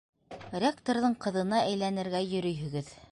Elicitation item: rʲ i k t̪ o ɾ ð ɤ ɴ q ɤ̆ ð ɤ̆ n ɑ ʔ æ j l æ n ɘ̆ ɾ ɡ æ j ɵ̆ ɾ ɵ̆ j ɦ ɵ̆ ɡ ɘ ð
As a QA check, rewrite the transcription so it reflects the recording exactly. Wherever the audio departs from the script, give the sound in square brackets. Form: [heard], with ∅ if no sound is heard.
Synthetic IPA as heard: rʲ [e] k t̪ o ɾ ð ɤ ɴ q ɤ̆ ð ɤ̆ n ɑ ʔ æ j l æ n ɘ̆ ɾ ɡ æ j ɵ̆ ɾ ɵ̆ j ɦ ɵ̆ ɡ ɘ ð